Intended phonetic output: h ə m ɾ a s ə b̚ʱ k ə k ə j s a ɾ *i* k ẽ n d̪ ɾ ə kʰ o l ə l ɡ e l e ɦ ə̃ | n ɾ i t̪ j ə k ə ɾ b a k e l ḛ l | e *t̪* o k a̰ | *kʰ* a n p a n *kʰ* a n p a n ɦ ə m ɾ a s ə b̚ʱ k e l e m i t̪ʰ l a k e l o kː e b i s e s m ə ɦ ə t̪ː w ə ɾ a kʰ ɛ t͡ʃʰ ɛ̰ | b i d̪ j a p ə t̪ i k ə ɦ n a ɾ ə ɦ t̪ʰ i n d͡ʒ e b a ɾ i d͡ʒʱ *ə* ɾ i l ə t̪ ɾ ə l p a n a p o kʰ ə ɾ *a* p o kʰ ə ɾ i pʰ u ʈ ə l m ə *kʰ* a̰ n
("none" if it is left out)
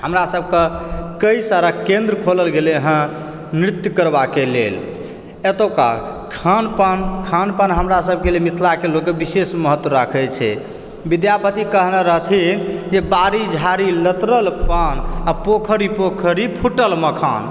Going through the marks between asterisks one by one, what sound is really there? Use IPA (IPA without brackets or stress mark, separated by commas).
a, t̪, kʰ, kʰ, a, i, kʰ